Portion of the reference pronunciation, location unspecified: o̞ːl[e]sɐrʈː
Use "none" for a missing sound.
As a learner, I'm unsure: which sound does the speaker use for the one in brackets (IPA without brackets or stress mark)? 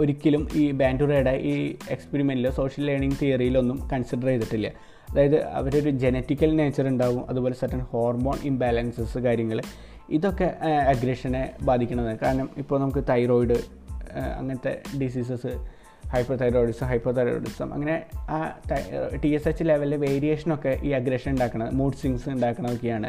e